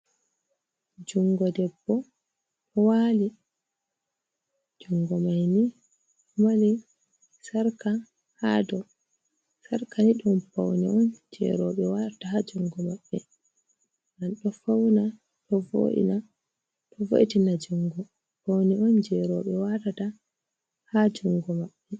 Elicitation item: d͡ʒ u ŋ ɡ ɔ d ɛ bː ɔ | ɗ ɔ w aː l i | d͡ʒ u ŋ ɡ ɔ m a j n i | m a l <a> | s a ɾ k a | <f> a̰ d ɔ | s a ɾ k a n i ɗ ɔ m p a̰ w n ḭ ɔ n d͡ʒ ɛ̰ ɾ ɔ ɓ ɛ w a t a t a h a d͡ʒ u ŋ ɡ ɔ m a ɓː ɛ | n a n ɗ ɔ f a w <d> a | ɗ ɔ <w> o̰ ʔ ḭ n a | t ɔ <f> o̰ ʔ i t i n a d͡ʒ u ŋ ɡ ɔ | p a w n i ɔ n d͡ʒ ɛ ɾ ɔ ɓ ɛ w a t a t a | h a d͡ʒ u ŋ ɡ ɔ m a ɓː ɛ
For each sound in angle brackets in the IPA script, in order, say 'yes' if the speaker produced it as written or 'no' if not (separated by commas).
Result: no, no, no, no, no